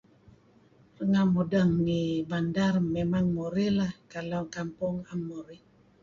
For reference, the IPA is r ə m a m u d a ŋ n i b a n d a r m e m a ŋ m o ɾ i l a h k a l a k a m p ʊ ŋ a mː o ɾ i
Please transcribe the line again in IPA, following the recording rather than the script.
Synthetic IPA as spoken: r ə ŋ a m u d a ŋ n i b a n d a r m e m a ŋ m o ɾ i l a h k a l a k a m p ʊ ŋ a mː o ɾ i

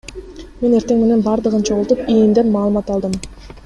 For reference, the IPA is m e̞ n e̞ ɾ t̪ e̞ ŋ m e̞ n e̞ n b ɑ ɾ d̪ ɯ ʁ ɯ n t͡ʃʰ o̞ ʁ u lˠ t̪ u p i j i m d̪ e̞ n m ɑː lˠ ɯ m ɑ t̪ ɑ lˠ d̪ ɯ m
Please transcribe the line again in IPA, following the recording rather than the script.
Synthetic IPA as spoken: m e̞ n e̞ ɾ t̪ e̞ ŋ m e̞ n e̞ n b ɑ ɾ d̪ ɯ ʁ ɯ n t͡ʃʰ o̞ ʁ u lˠ t̪ u p i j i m d̪ e̞ n m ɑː lˠ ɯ m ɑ t̪ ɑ lˠ d̪ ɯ m

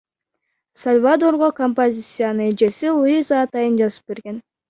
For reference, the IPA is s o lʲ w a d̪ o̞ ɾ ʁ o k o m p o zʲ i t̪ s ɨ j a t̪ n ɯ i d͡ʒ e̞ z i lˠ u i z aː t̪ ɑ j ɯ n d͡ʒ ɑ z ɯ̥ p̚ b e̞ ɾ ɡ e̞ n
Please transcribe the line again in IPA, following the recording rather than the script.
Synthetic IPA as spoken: s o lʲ v a d̪ o̞ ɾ ʁ o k o m p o zʲ i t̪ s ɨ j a n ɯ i d͡ʒ e̞ s i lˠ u i z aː t̪ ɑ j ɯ n d͡ʒ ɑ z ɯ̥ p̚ b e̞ ɾ ɡ e̞ n

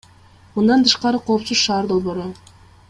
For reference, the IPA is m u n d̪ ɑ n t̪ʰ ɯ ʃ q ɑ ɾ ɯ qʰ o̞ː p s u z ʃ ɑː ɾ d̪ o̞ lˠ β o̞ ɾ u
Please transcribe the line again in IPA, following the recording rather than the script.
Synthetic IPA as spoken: m u n d̪ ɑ n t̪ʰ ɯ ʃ q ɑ ɾ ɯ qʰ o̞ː p s u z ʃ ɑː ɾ d̪ o̞ lˠ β o̞ ɾ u

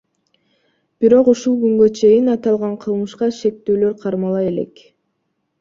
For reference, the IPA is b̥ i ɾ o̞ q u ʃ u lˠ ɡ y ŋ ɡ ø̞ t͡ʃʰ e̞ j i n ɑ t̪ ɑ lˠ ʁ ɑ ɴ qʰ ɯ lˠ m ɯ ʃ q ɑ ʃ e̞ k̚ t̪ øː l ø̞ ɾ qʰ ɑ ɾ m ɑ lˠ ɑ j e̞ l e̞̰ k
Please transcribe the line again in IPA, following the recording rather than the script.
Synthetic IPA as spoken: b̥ i ɾ o̞ q u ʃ u lˠ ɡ y ŋ ɡ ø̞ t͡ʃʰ e̞ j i n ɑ t̪ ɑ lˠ ʁ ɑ ɴ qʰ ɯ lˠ m ɯ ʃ q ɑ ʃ e̞ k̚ t̪ øː l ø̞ ɾ qʰ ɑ ɾ m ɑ lˠ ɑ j e̞ l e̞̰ k

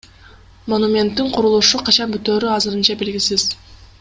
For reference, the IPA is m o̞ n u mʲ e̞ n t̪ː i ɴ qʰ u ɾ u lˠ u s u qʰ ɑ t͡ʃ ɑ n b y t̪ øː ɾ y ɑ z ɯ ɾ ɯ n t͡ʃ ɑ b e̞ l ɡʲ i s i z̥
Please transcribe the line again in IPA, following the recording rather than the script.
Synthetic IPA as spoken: m o̞ n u mʲ e̞ n t̪ː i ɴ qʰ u ɾ u lˠ u ʃ u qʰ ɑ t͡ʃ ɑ n b y t̪ øː ɾ y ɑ z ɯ ɾ ɯ n t͡ʃ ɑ b e̞ l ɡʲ i s i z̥

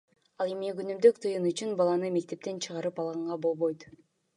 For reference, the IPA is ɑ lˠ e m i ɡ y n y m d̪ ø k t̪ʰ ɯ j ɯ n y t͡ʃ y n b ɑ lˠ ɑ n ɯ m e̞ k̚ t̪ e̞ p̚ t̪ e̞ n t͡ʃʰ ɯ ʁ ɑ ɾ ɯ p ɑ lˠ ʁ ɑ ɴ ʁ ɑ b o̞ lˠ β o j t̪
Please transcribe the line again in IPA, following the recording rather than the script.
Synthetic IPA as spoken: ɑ lˠ e m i ɡ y n y m d̪ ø k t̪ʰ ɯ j ɯ n y t͡ʃ y n b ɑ lˠ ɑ n ɯ m e̞ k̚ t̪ e̞ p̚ t̪ e̞ n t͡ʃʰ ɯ ʁ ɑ ɾ ɯ p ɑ lˠ ʁ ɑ ɴ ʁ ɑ b o̞ lˠ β o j t̪

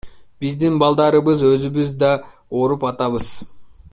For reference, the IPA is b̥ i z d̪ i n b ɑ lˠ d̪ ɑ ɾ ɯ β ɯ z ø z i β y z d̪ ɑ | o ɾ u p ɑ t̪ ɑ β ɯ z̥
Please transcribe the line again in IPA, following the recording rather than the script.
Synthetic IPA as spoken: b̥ i z d̪ i n b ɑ lˠ d̪ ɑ ɾ ɯ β ɯ z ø z y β y z d̪ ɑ | o ɾ u p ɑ t̪ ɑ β ɯ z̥

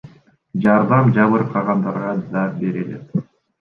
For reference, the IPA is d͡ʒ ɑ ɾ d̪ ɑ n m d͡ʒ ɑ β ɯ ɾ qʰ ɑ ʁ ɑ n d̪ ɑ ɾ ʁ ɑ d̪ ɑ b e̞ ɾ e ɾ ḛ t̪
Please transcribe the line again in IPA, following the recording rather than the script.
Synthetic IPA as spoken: d͡ʒ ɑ ɾ d̪ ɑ m d͡ʒ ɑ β ɯ ɾ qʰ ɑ ʁ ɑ n d̪ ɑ ɾ ʁ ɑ d̪ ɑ b e̞ ɾ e l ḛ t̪

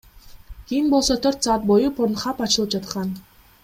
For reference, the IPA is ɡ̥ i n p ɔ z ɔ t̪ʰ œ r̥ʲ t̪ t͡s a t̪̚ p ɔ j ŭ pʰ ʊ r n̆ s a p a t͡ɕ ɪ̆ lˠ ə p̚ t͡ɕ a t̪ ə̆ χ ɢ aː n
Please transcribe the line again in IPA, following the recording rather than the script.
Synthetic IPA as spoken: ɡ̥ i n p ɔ s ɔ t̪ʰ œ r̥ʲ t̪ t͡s a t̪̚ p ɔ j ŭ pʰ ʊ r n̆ χ a p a t͡ɕ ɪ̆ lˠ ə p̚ t͡ɕ a t̪ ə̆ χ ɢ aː n

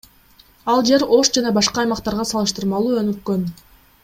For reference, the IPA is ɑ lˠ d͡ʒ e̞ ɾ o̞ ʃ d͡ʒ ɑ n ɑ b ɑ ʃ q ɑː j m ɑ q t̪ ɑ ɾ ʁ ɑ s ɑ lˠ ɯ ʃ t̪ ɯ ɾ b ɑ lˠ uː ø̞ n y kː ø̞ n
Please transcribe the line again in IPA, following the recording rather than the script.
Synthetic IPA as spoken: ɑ lˠ d͡ʒ e̞ ɾ o̞ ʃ d͡ʒ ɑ n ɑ b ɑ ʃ q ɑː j m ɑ q t̪ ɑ ɾ ʁ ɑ s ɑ lˠ ɯ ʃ t̪ ɯ ɾ m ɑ lˠ uː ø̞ n y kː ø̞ n

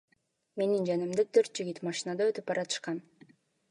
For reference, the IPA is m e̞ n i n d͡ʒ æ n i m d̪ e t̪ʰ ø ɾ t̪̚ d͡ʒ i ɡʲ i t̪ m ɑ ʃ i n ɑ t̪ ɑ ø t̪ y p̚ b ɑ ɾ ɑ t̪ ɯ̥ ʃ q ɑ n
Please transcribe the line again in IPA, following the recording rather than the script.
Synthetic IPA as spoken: m e̞ n i n d͡ʒ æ n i m d̪ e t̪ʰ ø ɾ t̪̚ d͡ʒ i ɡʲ i t̪ m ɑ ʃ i n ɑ d̪ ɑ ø t̪ y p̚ b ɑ ɾ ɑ t̪ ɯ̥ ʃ q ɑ n

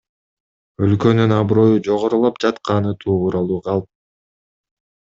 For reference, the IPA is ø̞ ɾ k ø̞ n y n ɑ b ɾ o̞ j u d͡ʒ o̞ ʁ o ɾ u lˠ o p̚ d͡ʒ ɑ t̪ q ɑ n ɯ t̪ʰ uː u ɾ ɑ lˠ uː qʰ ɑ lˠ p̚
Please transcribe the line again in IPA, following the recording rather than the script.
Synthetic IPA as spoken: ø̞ l k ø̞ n y n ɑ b ɾ o̞ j u d͡ʒ o̞ ʁ o ɾ u lˠ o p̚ d͡ʒ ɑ t̪ q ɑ n ɯ t̪ʰ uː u ɾ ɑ lˠ uː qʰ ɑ lˠ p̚

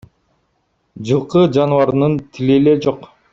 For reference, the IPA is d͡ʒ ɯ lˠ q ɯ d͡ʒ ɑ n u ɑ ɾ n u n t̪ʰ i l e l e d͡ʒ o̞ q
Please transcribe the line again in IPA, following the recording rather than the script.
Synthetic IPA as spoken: d͡ʒ ɯ lˠ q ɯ d͡ʒ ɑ n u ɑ ɾ n ɯ n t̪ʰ i l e l e d͡ʒ o̞ q

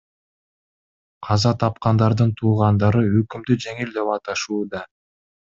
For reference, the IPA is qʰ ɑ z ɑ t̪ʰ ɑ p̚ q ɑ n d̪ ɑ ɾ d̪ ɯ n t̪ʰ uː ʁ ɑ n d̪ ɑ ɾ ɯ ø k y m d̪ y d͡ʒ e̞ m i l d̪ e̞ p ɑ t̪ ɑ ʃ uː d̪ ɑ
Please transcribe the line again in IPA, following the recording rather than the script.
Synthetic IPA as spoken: qʰ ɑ z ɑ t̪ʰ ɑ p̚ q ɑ n d̪ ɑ ɾ d̪ ɯ n t̪ʰ uː ʁ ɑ n d̪ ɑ ɾ ɯ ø k y m d̪ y d͡ʒ e̞ ŋ i l d̪ e̞ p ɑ t̪ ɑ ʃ uː d̪ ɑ

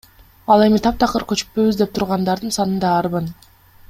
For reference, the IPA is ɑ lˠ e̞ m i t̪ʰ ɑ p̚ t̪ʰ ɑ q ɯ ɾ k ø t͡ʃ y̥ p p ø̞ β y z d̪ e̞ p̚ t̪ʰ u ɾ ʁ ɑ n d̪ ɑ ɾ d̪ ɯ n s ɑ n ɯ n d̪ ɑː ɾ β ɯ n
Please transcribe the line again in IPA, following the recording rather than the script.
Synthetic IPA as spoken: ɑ lˠ e̞ m i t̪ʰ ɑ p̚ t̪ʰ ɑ q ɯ ɾ k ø t͡ʃ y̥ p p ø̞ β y z d̪ e̞ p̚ t̪ʰ u ɾ ʁ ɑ n d̪ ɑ ɾ d̪ ɯ n s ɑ n ɯ n d̪ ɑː ɾ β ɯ n

